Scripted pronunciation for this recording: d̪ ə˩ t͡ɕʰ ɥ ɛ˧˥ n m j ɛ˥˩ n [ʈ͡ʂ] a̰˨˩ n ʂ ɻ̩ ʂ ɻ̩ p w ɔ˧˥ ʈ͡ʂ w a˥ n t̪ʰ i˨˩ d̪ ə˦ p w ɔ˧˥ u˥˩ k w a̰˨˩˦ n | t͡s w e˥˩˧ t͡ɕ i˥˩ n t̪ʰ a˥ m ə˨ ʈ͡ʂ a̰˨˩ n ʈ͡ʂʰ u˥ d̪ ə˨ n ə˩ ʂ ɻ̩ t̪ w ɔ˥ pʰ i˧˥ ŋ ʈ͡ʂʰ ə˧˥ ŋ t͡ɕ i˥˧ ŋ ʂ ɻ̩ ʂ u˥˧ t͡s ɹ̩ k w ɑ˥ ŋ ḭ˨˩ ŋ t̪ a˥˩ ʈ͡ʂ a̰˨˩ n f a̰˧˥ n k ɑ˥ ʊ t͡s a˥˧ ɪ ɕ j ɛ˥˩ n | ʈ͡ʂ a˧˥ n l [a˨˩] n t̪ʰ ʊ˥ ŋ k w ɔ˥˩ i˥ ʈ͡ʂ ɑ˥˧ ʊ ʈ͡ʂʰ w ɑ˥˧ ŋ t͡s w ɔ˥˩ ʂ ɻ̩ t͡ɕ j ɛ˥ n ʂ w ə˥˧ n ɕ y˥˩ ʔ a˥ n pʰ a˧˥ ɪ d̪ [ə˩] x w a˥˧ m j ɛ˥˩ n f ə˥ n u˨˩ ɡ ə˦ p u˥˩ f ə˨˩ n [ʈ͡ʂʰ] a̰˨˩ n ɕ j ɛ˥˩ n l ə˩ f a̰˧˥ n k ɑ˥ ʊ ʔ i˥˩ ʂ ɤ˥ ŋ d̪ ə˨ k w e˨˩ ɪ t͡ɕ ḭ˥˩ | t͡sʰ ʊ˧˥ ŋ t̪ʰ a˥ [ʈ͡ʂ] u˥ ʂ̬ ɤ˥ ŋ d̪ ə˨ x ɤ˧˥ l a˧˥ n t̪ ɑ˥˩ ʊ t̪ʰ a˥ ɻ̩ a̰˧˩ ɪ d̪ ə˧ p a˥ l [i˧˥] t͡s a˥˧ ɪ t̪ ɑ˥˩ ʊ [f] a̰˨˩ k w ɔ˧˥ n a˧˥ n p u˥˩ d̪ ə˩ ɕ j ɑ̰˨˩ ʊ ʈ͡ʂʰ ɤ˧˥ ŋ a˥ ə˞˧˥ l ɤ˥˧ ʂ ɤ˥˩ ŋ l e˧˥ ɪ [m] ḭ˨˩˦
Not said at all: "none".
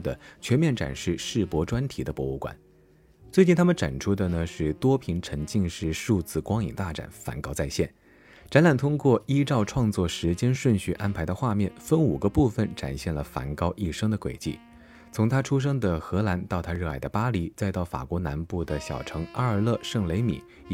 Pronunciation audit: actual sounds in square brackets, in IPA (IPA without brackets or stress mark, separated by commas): ʈ͡ʂ, a˨˩, ə˧, ʈ͡ʂ, ʈ͡ʂʰ, i˧˥, f, m